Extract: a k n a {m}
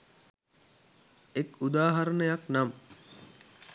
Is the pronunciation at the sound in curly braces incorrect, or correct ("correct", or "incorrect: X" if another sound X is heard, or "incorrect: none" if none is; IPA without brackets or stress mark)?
correct